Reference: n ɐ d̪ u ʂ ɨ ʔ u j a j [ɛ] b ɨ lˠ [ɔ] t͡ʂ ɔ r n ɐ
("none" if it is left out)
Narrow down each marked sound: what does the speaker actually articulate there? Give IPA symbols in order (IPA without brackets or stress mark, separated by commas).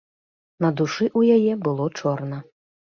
ɛ, ɔ